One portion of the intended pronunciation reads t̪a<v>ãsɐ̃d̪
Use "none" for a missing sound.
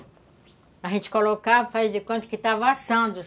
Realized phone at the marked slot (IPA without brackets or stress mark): v